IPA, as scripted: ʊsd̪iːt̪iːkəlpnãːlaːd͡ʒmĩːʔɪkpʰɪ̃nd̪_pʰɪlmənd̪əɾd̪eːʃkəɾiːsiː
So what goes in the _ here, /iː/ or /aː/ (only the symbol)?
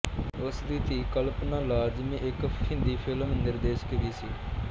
iː